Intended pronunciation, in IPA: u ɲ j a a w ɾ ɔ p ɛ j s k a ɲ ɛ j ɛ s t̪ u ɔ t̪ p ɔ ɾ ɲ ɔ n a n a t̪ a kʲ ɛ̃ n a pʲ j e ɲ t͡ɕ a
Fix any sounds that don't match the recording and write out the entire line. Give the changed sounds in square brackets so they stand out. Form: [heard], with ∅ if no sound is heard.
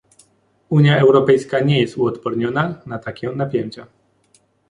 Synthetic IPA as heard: u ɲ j a [ɛ] w ɾ ɔ p ɛ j s k a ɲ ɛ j ɛ s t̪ u ɔ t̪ p ɔ ɾ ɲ ɔ n a n a t̪ a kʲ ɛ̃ n a pʲ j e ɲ t͡ɕ a